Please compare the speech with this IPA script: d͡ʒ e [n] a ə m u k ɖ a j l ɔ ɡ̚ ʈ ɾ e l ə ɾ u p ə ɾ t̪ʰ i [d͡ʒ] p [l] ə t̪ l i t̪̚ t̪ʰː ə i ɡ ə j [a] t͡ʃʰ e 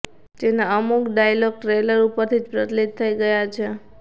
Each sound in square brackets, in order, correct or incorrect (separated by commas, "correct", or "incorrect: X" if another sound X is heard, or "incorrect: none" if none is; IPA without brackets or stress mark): correct, correct, incorrect: ɾ, correct